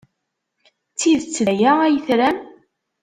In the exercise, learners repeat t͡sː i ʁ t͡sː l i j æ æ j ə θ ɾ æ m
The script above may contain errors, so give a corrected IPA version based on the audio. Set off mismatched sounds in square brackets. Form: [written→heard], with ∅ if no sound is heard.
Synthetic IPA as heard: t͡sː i [ʁ→ð] t͡sː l [i→æ] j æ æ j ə θ ɾ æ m

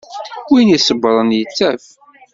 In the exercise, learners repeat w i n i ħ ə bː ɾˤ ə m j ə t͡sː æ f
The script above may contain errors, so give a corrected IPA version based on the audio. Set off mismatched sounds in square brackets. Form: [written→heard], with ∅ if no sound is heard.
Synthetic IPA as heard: w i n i [ħ→s] ə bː ɾˤ ə [m→n] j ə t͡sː æ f

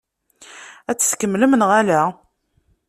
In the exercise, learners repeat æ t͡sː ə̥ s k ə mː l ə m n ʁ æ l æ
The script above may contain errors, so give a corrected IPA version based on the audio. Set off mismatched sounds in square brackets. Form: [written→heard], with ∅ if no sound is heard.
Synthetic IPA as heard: æ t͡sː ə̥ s k ə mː l ə m n ʁ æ l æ

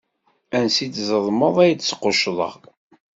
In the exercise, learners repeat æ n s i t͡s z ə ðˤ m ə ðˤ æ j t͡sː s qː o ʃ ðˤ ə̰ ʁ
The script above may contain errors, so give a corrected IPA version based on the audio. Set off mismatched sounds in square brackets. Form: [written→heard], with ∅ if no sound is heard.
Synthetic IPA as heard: æ n s i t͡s z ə ðˤ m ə ðˤ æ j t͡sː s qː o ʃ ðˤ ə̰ ʁ

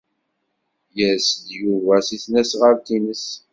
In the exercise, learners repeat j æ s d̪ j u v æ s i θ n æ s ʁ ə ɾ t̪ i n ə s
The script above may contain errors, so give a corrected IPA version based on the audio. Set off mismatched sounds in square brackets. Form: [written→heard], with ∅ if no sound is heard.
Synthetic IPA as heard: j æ s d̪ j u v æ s i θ n æ s ʁ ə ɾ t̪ i n ə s

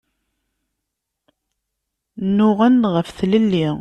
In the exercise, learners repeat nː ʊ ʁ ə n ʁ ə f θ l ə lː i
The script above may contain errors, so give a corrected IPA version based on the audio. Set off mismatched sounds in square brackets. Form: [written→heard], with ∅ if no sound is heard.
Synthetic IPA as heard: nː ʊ ʁ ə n ʁ ə f θ l ə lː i

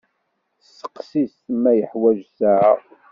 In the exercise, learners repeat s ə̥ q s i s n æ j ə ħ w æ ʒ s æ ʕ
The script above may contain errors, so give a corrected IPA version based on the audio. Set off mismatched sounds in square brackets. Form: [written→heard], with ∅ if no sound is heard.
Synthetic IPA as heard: s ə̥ q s i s [n→m] æ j ə ħ w æ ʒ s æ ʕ

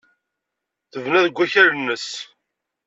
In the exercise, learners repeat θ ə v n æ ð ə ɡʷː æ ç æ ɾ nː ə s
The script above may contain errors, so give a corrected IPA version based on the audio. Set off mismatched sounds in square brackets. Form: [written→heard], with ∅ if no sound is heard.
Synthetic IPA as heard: θ ə v n æ ð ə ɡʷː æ ç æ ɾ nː ə s

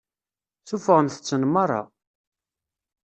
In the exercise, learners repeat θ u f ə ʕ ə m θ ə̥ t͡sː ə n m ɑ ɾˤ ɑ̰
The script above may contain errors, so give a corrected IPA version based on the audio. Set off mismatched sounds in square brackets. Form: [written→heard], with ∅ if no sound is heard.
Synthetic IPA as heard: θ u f ə [ʕ→ʁ] ə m θ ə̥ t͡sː ə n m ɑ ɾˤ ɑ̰

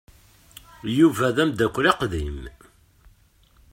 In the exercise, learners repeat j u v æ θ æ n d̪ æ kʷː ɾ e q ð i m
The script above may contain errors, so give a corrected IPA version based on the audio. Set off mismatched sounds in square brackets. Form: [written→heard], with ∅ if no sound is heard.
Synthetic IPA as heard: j u v æ [θ→ð] æ [n→m] d̪ æ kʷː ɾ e q ð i m

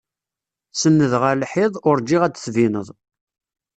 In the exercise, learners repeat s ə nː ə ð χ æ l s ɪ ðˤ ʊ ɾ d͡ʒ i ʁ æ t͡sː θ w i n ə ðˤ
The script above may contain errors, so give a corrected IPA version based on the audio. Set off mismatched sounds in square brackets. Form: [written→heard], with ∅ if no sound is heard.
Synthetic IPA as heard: s ə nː ə ð [χ→ʁ] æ l [s→ħ] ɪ ðˤ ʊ ɾ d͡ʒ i ʁ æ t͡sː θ [w→v] i n ə ðˤ

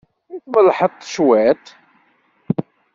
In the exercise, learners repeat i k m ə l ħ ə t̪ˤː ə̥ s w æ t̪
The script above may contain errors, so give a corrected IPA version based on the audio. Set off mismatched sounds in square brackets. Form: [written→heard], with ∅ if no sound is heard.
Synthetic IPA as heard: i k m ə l ħ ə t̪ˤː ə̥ [s→ʃ] w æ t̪

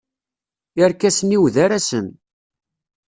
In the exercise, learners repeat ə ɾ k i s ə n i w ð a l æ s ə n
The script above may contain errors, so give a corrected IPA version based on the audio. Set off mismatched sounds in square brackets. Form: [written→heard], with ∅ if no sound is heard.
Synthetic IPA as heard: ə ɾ k [i→æ] s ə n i w ð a [l→ɾ] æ s ə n

